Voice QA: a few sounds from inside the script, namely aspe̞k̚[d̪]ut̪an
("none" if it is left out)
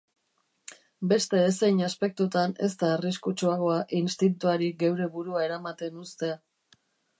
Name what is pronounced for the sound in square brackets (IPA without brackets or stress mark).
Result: t̪